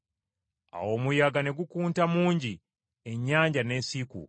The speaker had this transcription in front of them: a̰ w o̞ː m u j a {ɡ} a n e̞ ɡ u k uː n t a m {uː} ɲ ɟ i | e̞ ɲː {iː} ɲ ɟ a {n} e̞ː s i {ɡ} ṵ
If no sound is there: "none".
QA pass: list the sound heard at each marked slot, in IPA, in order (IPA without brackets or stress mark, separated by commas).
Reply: ɡ, uː, aː, n, k